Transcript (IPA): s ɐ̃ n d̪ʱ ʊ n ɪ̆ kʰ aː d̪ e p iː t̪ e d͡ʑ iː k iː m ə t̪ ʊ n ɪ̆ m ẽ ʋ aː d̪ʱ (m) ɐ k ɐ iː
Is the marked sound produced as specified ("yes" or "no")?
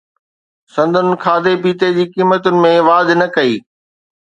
no